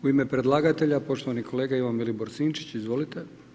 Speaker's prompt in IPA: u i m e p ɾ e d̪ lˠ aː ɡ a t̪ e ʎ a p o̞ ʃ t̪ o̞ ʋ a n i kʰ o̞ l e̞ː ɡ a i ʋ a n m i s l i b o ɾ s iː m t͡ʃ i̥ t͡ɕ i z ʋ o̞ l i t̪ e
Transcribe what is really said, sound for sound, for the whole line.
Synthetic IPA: u i m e p ɾ e d̪ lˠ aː ɡ a t̪ e ʎ a p o̞ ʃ t̪ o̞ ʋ a n i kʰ o̞ l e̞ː ɡ a i ʋ a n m i l i b o ɾ s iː n t͡ʃ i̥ t͡ɕ i z ʋ o̞ l i t̪ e